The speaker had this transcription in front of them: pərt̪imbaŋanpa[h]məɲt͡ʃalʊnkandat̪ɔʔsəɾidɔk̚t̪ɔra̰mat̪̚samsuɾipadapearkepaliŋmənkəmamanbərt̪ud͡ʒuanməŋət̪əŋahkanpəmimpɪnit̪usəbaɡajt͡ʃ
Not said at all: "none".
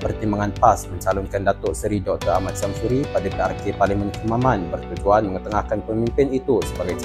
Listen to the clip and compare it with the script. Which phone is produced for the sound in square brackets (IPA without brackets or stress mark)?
s